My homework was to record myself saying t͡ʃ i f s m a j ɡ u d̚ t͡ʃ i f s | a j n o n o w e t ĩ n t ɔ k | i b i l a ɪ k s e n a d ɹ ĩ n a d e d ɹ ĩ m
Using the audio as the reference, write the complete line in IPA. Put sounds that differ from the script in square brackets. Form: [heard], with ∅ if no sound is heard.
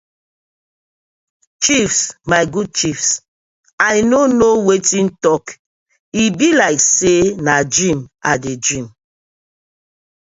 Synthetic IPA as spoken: t͡ʃ i f s m a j ɡ u d̚ t͡ʃ i f s | a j n o n o w e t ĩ n t ɔ k | i b i l a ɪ k s e n a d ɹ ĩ [m] a d e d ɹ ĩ m